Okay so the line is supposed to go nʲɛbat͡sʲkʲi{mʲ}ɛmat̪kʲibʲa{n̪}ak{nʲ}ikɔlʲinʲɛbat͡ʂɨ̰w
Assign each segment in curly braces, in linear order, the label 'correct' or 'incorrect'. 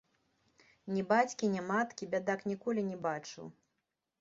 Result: incorrect: nʲ, incorrect: d̪, correct

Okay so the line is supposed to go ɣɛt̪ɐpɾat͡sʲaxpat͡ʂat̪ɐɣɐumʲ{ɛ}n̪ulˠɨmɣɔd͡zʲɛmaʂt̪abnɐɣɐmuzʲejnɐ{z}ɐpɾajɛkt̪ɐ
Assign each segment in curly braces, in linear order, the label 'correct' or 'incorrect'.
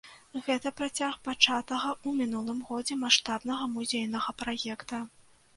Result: incorrect: i, incorrect: ɣ

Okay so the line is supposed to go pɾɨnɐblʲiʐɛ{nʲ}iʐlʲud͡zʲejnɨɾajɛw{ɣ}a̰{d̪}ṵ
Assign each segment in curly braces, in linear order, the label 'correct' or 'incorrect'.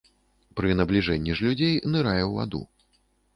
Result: incorrect: nʲː, incorrect: v, correct

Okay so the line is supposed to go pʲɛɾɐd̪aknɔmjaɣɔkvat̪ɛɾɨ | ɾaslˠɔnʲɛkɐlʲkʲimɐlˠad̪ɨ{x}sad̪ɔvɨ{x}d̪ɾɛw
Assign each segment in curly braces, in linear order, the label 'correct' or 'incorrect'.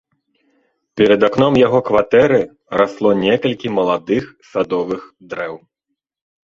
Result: correct, correct

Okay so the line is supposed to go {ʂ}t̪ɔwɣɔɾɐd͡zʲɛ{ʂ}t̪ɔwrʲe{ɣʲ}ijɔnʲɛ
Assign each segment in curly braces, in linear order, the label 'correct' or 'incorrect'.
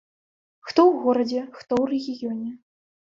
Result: incorrect: x, incorrect: x, correct

